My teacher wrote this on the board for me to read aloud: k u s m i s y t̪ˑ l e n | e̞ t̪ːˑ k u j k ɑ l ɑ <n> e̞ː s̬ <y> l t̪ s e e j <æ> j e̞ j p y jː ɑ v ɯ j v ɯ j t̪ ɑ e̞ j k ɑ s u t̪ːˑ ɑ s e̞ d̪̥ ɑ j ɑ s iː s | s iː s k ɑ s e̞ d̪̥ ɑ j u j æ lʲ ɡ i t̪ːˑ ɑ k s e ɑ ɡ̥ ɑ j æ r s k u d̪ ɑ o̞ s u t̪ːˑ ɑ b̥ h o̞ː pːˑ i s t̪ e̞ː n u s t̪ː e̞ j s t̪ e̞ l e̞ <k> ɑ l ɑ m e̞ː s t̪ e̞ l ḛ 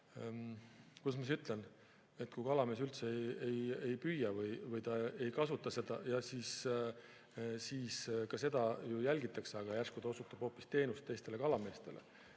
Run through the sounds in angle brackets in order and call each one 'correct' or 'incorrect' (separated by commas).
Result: incorrect, correct, incorrect, correct